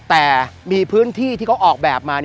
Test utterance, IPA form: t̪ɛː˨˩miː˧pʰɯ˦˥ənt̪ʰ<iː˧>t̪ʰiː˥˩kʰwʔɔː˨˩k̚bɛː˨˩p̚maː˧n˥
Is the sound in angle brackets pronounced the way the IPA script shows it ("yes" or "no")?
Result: no